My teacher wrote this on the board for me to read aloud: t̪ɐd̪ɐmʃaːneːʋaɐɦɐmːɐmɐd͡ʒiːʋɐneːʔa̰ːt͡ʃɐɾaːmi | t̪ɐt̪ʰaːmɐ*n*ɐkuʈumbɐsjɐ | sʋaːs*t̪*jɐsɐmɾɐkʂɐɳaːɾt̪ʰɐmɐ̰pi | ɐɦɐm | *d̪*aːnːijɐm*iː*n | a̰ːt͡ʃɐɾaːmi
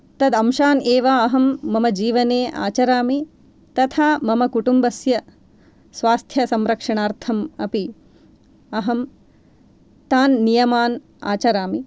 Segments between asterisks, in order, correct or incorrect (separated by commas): incorrect, incorrect, incorrect, incorrect